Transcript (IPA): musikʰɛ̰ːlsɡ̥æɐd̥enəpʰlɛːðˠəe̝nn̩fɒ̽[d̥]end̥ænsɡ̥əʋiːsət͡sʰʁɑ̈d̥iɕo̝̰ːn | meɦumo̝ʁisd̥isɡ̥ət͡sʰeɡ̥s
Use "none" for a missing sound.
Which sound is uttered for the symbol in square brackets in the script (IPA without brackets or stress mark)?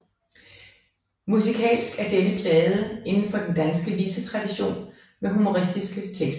d̥